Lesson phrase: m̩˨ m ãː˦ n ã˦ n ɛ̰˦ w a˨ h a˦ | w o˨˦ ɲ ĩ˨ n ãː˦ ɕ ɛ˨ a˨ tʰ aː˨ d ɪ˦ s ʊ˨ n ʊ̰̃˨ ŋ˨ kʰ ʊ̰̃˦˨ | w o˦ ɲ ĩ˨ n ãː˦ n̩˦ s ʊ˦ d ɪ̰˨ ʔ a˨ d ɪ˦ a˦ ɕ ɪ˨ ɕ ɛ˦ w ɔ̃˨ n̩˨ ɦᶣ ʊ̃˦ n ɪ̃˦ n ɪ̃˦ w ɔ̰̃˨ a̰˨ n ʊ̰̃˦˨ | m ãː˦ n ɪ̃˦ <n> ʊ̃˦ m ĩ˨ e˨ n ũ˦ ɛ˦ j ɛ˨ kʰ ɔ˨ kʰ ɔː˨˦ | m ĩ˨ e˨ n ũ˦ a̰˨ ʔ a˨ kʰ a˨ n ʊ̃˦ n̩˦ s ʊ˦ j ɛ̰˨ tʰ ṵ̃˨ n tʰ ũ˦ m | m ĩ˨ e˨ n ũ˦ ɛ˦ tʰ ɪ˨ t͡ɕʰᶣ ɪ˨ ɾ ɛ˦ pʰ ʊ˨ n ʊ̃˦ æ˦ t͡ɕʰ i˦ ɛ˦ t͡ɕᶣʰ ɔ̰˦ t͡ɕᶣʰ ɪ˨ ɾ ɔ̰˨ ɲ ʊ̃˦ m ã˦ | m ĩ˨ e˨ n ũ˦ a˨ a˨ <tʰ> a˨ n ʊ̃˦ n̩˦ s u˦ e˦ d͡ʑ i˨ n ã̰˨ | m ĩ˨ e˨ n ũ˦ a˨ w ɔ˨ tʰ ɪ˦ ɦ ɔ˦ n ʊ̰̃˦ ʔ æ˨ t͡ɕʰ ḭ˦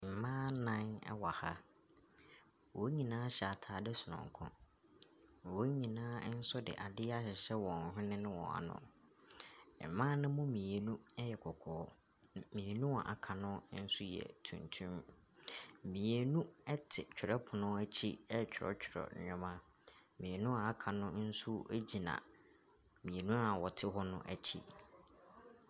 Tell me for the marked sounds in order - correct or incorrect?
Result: incorrect: m, incorrect: kʰ

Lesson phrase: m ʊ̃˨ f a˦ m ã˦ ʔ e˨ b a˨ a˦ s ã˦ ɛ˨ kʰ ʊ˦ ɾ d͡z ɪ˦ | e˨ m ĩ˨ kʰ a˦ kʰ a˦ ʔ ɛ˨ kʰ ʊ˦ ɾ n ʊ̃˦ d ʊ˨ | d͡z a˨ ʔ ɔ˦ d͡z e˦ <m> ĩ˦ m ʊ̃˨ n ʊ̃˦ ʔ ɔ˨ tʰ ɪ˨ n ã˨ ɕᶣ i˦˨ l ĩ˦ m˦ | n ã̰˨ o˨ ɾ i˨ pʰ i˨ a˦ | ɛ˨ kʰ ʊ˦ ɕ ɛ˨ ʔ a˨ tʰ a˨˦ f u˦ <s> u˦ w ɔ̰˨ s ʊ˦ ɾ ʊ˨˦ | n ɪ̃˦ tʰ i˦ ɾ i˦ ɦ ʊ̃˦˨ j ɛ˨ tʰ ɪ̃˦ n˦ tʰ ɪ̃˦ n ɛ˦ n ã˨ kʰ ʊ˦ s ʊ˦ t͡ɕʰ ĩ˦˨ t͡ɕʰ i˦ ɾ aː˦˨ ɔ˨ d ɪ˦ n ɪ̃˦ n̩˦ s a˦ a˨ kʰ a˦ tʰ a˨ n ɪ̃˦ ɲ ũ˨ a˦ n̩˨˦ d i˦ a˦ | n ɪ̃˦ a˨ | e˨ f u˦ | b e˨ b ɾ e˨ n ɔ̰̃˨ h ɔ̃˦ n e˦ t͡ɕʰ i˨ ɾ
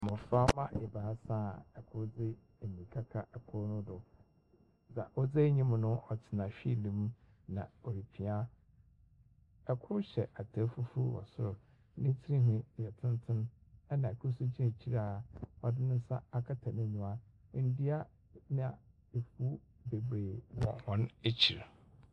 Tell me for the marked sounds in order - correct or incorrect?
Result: incorrect: ɲ, incorrect: f

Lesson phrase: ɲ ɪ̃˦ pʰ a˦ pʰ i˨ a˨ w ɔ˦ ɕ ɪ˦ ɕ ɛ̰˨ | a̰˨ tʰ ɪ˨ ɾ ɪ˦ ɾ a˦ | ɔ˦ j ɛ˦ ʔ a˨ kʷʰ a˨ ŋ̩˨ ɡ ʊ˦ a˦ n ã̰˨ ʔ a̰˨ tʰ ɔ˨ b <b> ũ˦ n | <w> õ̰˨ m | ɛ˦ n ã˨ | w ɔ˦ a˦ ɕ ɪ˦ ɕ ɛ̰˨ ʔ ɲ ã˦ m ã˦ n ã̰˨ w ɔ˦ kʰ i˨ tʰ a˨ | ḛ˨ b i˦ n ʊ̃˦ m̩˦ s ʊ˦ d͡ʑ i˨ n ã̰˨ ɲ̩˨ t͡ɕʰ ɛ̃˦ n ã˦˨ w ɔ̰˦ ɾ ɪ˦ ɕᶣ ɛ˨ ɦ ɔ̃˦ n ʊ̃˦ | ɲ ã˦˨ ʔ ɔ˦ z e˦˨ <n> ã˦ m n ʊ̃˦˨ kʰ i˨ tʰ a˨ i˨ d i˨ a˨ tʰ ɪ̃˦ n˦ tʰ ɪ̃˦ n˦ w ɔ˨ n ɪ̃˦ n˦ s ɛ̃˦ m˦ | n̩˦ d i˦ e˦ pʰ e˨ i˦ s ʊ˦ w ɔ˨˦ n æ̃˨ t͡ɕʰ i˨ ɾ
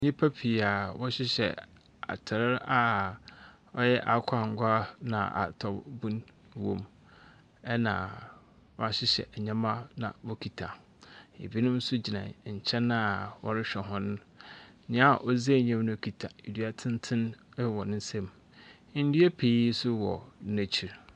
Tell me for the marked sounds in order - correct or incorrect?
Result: correct, correct, incorrect: ɲ

